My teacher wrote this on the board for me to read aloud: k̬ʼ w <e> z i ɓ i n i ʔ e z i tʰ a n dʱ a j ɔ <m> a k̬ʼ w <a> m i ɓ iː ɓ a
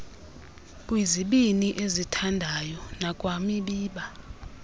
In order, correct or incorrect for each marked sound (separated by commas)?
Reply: incorrect, incorrect, correct